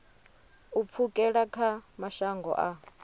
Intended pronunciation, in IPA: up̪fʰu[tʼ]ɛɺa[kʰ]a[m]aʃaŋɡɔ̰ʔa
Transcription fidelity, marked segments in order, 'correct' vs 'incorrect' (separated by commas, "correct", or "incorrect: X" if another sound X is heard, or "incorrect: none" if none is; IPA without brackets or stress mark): incorrect: kʼ, correct, correct